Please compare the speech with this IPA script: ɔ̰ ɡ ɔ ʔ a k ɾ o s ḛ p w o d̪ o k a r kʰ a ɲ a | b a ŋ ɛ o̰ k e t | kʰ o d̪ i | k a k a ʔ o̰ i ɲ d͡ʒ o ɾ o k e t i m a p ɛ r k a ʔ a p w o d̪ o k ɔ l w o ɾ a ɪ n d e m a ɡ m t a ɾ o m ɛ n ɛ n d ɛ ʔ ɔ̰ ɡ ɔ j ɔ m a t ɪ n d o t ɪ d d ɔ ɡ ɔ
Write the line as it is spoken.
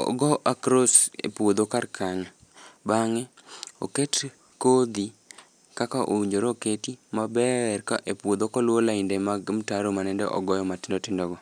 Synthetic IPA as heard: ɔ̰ ɡ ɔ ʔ a k ɾ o s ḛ p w o d̪ o k a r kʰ a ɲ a | b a ŋ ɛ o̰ k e t | k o d̪ i | k a k a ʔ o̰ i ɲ d͡ʒ o ɾ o k e t i m a b ɛ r k a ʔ e p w o d̪ o k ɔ l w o l a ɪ n d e m a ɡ m t a ɾ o m a n ɛ n d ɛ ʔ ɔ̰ ɡ ɔ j ɔ m a t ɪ n d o t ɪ n d ɔ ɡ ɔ